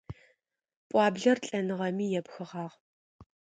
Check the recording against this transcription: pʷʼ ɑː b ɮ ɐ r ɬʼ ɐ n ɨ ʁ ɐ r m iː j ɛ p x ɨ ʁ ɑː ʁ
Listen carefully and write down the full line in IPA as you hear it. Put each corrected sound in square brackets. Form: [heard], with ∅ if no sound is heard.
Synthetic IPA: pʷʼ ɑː b ɮ ɐ r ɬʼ ɐ n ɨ ʁ ɐ [∅] m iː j ɛ p x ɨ ʁ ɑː ʁ